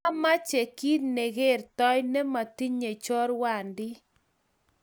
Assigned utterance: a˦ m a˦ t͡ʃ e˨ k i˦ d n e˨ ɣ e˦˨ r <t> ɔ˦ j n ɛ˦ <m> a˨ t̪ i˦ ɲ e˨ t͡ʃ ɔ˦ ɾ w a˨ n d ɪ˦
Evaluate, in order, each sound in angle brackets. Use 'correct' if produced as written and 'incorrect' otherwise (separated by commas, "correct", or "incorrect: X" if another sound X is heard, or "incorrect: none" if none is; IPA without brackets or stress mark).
correct, correct